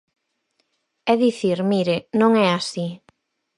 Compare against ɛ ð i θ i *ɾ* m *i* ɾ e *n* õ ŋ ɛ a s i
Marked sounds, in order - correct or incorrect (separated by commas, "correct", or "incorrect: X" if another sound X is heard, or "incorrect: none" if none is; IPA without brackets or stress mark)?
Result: correct, correct, correct